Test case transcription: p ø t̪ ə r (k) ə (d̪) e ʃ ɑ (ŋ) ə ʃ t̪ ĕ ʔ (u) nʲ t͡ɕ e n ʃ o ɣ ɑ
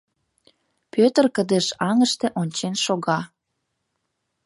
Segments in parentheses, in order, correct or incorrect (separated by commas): correct, correct, correct, incorrect